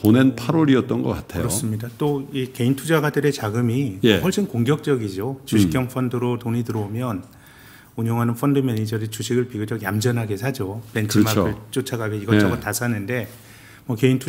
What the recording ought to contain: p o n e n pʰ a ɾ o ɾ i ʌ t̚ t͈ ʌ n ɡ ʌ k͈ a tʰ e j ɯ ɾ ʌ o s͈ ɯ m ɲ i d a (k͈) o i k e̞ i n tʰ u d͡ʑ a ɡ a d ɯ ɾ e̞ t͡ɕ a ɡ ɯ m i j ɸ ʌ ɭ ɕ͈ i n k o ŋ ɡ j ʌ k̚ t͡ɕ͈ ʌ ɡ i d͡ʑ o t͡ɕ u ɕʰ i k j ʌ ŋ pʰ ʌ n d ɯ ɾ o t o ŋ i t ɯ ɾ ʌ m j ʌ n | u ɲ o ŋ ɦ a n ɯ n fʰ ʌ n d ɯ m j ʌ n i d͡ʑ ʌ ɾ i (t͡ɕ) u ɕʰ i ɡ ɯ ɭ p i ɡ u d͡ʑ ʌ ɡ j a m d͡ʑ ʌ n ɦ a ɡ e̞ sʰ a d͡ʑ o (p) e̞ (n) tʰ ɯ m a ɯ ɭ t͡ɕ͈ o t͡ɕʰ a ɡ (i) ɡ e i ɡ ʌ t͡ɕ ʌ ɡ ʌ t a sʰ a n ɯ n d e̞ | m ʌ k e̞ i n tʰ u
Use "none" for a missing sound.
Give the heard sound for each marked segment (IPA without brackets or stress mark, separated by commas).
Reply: t͈, t͡ɕ, p, n, a